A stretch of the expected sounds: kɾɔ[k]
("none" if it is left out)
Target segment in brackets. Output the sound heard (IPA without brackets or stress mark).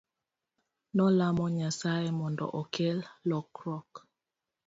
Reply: k